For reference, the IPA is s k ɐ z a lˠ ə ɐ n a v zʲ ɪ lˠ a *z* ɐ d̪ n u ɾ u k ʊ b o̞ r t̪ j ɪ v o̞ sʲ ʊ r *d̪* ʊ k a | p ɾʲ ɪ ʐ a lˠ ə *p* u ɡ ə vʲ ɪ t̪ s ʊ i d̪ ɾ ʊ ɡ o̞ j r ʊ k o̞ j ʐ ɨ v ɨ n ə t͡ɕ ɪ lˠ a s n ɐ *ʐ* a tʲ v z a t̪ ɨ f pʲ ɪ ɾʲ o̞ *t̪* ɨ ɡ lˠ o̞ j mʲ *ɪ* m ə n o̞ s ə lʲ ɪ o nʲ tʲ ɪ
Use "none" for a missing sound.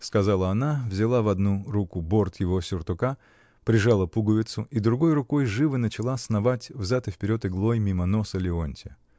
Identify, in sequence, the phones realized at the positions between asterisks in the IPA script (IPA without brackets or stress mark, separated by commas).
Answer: v, t̪, p, v, t̪, i